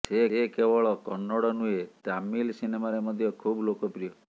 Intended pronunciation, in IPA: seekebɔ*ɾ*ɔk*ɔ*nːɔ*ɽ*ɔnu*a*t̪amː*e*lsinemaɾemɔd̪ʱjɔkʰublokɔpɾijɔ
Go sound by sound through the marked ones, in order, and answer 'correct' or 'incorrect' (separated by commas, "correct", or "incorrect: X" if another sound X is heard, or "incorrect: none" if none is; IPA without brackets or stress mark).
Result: incorrect: ɭ, correct, correct, incorrect: e, incorrect: i